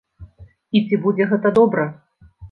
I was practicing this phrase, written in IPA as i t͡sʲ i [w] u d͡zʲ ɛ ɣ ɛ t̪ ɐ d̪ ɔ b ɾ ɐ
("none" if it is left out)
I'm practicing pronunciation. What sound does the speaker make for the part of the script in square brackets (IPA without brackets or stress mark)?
b